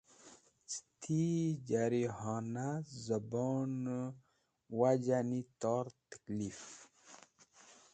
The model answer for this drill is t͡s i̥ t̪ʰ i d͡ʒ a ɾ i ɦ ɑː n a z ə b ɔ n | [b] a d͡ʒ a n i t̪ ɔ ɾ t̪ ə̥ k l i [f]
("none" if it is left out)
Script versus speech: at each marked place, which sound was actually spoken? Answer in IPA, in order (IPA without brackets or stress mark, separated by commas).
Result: w, f